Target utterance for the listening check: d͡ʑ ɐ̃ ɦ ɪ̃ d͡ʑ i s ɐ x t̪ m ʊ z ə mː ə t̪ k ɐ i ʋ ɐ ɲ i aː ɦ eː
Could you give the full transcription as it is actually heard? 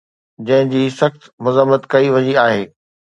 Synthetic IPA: d͡ʑ ɐ̃ ɦ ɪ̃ d͡ʑ iː s ɐ x t̪ m ʊ z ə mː ə t̪ k ɐ i ʋ ɐ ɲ i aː ɦ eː